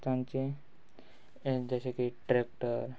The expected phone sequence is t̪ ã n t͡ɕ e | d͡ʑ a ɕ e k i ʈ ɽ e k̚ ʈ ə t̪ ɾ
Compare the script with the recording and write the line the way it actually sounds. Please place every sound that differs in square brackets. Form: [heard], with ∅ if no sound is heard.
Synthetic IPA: t̪ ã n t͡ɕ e | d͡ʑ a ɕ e k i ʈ [ɾ] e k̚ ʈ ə [∅] ɾ